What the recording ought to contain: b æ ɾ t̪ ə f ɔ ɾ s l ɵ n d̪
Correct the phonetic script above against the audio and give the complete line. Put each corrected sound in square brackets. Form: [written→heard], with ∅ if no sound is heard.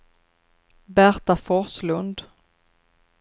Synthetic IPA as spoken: b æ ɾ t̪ [ə→a] f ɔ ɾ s l ɵ n d̪